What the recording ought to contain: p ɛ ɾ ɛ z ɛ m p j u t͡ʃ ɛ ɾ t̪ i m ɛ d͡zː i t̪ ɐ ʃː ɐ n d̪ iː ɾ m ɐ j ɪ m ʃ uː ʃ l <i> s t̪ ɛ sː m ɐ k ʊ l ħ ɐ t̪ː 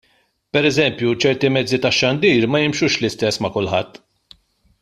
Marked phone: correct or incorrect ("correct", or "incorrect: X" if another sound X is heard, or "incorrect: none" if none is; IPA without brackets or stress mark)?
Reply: incorrect: ɪ